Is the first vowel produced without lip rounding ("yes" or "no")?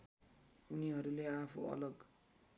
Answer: no